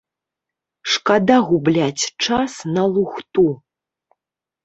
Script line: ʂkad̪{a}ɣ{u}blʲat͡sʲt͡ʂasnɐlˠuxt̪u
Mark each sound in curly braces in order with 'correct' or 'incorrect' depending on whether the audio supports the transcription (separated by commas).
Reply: correct, correct